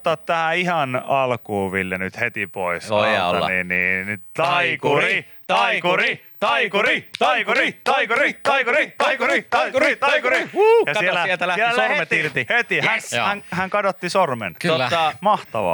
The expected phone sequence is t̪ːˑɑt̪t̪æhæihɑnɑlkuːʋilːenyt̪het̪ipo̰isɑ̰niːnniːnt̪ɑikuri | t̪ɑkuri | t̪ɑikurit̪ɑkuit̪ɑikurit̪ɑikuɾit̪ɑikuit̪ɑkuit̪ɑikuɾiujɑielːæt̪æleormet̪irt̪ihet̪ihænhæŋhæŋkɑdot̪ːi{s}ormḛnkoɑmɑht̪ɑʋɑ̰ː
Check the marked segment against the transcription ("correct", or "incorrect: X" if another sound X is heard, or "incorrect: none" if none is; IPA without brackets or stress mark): correct